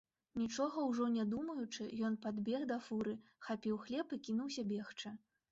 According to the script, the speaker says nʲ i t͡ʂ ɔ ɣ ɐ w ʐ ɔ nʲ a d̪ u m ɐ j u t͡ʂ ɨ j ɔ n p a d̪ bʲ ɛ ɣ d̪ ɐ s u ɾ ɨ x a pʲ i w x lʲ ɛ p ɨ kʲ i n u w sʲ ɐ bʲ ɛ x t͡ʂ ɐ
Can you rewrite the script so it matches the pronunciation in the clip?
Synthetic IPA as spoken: nʲ i t͡ʂ ɔ ɣ ɐ w ʐ ɔ nʲ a d̪ u m ɐ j u t͡ʂ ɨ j ɔ n p a d̪ bʲ ɛ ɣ d̪ ɐ f u ɾ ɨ x a pʲ i w x lʲ ɛ p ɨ kʲ i n u w sʲ ɐ bʲ ɛ x t͡ʂ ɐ

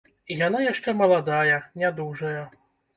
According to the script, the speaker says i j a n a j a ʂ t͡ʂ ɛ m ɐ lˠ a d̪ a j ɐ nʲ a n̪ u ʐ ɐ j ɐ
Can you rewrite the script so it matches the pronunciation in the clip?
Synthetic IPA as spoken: i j a n a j a ʂ t͡ʂ ɛ m ɐ lˠ a d̪ a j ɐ nʲ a d̪ u ʐ ɐ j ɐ

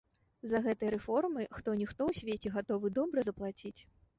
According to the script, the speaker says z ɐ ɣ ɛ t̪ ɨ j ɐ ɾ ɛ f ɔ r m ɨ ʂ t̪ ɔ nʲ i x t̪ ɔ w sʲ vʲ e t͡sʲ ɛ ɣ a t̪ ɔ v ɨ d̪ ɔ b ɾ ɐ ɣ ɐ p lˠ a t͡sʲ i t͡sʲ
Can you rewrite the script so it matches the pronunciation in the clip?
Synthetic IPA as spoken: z ɐ ɣ ɛ t̪ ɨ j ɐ ɾ ɛ f ɔ r m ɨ x t̪ ɔ nʲ i x t̪ ɔ w sʲ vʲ e t͡sʲ ɛ ɣ a t̪ ɔ v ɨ d̪ ɔ b ɾ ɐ z ɐ p lˠ a t͡sʲ i t͡sʲ

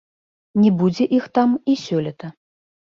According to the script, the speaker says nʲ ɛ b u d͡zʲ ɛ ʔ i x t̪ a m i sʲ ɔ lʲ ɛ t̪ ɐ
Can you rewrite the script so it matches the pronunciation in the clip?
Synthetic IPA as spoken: nʲ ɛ b u d͡zʲ ɛ ʔ i x t̪ a m i sʲ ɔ lʲ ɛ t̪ ɐ

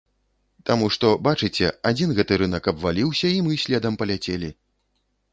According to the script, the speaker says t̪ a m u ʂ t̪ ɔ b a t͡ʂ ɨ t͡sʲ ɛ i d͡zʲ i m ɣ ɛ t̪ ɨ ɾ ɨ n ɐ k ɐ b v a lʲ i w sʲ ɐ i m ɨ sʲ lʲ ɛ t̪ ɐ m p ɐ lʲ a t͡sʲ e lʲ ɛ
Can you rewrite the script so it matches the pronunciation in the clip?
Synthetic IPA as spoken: t̪ a m u ʂ t̪ ɔ b a t͡ʂ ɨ t͡sʲ ɛ a d͡zʲ i n ɣ ɛ t̪ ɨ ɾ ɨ n ɐ k ɐ b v a lʲ i w sʲ ɐ i m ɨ sʲ lʲ ɛ d̪ ɐ m p ɐ lʲ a t͡sʲ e lʲ i

